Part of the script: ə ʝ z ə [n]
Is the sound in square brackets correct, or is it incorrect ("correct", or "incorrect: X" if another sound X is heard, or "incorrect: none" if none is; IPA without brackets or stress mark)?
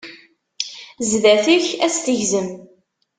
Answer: incorrect: m